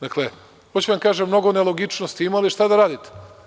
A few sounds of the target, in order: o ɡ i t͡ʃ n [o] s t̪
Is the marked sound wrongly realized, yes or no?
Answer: no